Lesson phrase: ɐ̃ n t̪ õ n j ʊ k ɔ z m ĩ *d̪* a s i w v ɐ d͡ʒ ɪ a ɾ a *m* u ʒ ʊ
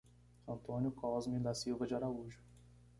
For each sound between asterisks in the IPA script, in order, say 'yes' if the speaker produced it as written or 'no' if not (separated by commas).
yes, no